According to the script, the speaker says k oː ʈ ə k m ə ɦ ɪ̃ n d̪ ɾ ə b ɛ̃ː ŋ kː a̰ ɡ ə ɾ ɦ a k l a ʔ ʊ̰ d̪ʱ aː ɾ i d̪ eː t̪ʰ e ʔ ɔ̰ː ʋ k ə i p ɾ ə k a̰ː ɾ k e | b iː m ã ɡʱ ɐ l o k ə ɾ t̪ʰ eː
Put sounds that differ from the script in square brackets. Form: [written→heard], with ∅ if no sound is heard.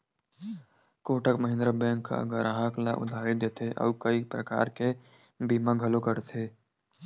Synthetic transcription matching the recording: k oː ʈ ə k m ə ɦ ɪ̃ n d̪ ɾ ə b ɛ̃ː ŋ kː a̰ ɡ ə ɾ ɦ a k l a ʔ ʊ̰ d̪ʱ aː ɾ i d̪ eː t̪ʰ e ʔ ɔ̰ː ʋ k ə i p ɾ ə k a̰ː ɾ k e | b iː m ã ɡʱ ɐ l o k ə ɾ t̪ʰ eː

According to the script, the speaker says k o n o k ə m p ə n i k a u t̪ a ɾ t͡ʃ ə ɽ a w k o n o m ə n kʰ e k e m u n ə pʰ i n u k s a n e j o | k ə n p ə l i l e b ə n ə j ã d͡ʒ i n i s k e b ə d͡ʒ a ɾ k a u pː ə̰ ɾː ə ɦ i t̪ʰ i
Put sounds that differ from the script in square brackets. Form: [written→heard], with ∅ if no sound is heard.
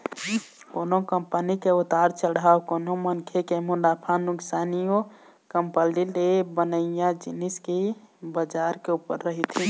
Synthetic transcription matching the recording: k o n o k ə m p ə n i k [a→e] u t̪ a ɾ t͡ʃ ə ɽ a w k o n o m ə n kʰ e k e m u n [ə→a] pʰ [i→a] n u k s a n [e→i] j o | k ə [n→m] p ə l i l e b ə n ə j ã d͡ʒ i n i s k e b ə d͡ʒ a ɾ k [a→e] u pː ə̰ ɾː ə ɦ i t̪ʰ i

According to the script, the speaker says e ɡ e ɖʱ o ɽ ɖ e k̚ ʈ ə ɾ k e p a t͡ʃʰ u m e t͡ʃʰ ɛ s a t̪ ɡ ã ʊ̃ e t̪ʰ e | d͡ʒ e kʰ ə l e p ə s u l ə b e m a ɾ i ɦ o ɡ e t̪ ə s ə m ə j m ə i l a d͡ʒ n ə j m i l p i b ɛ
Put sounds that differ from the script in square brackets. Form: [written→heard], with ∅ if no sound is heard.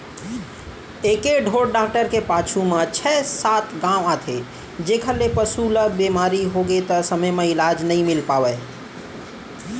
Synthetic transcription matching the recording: e [ɡ→k] e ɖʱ o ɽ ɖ [e→a] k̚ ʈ ə ɾ k e p a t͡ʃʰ u m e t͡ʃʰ ɛ s a t̪ ɡ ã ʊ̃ [e→a] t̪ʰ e | d͡ʒ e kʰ ə l e p ə s u l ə b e m a ɾ i ɦ o ɡ e t̪ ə s ə m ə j m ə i l a d͡ʒ n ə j m i l p [i→a] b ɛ

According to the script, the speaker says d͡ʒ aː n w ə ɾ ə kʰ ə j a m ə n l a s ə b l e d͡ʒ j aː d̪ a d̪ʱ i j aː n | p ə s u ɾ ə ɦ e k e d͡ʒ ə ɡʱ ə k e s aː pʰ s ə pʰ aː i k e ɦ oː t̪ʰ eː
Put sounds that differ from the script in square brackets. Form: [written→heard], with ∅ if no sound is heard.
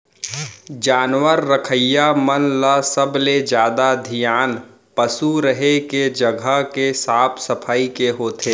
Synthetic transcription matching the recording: d͡ʒ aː n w ə [ɾ→ɾː] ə kʰ ə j a m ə n l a s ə b l e d͡ʒ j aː d̪ a d̪ʱ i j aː n | p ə s u ɾ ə ɦ e k e d͡ʒ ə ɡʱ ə k e s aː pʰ s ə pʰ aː i k e ɦ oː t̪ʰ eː

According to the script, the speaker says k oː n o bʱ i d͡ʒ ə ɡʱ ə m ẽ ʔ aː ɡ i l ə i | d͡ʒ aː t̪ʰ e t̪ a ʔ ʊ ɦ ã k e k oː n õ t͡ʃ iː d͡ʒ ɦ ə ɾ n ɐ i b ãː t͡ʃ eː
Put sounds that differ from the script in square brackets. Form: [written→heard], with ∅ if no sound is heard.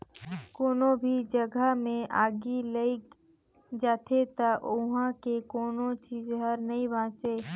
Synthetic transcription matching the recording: k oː n o bʱ i d͡ʒ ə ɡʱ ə m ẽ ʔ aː ɡ i l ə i | d͡ʒ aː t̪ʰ e t̪ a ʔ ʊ ɦ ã k e k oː n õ t͡ʃ iː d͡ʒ ɦ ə ɾ n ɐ i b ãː t͡ʃ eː

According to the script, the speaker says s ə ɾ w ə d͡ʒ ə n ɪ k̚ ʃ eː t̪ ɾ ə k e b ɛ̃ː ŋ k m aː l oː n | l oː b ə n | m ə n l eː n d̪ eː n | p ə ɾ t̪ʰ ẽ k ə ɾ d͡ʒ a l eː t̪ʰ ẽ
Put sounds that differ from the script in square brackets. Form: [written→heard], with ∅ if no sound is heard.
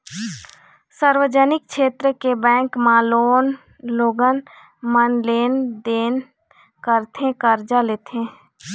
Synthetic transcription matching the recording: s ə ɾ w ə d͡ʒ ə n ɪ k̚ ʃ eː t̪ ɾ ə k e b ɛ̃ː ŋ k m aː l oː n | l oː [b→ɡ] ə n | m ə n l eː n d̪ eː n | [p→k] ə ɾ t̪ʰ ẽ k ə ɾ d͡ʒ a l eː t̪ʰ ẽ

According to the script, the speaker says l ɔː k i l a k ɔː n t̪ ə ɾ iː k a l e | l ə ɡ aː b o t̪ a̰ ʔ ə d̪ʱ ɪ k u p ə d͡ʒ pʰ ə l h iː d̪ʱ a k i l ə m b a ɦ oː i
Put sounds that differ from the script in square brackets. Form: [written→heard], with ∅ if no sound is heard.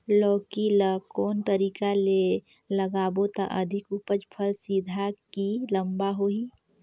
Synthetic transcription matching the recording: l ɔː k i l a k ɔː n t̪ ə ɾ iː k a l e | l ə ɡ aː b o t̪ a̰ ʔ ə d̪ʱ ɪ k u p ə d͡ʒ pʰ ə l [h→s] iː d̪ʱ a k i l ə m b a ɦ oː i

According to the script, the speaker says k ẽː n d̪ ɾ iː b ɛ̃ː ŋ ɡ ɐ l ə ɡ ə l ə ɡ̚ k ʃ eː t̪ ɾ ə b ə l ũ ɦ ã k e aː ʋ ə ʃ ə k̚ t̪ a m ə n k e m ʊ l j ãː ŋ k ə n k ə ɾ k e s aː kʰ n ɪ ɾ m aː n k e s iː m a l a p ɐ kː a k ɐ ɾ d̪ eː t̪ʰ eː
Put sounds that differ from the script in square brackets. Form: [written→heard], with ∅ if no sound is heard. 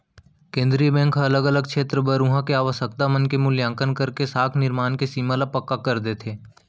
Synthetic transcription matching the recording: k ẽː n d̪ ɾ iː b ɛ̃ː ŋ [ɡ→k] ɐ l ə ɡ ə l ə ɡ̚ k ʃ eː t̪ ɾ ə b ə [l→ɾ] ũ ɦ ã k e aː ʋ ə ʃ ə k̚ t̪ a m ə n k e m ʊ l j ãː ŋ k ə n k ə ɾ k e s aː kʰ n ɪ ɾ m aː n k e s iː m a l a p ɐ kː a k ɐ ɾ d̪ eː t̪ʰ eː

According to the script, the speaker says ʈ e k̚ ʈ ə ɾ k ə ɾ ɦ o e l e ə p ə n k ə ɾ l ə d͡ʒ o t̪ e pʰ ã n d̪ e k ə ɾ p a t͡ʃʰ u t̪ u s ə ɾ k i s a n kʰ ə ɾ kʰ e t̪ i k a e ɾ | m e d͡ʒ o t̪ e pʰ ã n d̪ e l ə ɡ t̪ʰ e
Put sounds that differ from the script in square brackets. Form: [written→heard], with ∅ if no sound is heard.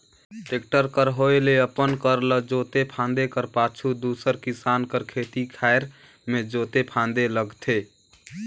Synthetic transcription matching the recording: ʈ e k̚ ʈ ə ɾ k ə ɾ ɦ o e l e ə p ə n k ə ɾ l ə d͡ʒ o t̪ e pʰ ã n d̪ e k ə ɾ p a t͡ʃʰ u [t̪→d̪] u s ə ɾ k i s a n [kʰ→k] ə ɾ kʰ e t̪ i [k→kʰ] a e ɾ | m e d͡ʒ o t̪ e pʰ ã n d̪ e l ə ɡ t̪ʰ e

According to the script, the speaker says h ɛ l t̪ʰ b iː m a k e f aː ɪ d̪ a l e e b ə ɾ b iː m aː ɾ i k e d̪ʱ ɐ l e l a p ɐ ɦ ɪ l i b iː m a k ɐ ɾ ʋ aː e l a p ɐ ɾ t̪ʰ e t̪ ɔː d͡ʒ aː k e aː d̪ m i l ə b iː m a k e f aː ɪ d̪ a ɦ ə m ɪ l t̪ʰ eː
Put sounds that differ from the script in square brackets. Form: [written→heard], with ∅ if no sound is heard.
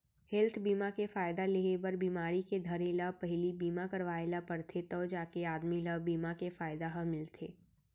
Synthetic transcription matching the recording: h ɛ l t̪ʰ b iː m a k e f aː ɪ d̪ a l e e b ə ɾ b iː m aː ɾ i k e d̪ʱ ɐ [l→ɾ] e l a p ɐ ɦ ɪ l i b iː m a k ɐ ɾ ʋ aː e l a p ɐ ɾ t̪ʰ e t̪ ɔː d͡ʒ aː k e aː d̪ m i l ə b iː m a k e f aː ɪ d̪ a ɦ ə m ɪ l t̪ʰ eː

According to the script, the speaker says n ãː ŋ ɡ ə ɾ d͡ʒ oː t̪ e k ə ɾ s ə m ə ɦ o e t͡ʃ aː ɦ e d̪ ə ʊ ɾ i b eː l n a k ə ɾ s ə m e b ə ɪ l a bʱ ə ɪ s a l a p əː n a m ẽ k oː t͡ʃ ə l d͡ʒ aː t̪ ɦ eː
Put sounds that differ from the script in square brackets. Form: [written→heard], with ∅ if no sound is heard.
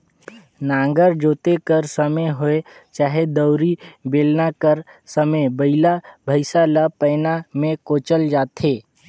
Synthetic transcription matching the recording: n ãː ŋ ɡ ə ɾ d͡ʒ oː t̪ e k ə ɾ s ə m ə ɦ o e t͡ʃ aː ɦ e d̪ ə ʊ ɾ i b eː l n a k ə ɾ s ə m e b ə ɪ l a bʱ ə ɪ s a l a p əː n a m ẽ k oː t͡ʃ ə l d͡ʒ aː t̪ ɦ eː

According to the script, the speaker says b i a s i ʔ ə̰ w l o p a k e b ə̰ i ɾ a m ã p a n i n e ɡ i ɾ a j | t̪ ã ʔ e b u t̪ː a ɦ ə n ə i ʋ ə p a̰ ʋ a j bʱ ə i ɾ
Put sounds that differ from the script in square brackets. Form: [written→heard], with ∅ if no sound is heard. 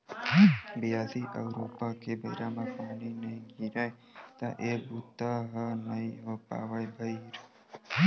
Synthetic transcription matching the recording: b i a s i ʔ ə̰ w [l→ɾ] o p a k e b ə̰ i ɾ a m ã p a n i n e ɡ i ɾ a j | t̪ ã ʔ e b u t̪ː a ɦ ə n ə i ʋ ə p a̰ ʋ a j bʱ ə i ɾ

